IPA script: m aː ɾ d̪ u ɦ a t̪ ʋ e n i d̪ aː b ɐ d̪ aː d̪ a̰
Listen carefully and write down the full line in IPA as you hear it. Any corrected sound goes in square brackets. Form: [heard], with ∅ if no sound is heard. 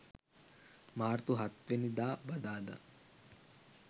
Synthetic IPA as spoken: m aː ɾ [t̪] u ɦ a t̪ ʋ e n i d̪ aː b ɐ d̪ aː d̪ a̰

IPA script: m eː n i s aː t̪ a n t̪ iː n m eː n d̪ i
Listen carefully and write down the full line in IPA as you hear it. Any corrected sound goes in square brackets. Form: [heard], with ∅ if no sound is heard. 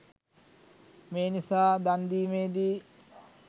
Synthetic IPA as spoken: m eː n i s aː [d̪] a n [d̪] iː [∅] m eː [∅] d̪ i

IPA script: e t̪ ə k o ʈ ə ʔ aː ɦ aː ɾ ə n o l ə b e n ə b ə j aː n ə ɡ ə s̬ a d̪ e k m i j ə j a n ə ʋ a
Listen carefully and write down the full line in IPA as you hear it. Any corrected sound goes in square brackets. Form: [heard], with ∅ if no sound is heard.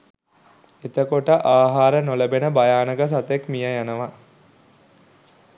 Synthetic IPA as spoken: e t̪ ə k o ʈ ə ʔ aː ɦ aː ɾ ə n o l ə b e n ə b [a] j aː n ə ɡ ə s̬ a [t̪] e k m i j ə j a n ə ʋ a

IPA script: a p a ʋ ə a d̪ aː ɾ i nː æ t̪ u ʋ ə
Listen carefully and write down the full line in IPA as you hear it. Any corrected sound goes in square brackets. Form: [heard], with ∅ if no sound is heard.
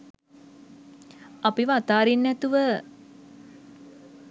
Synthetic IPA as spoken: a p [i] ʋ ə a [t̪] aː ɾ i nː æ t̪ u ʋ ə

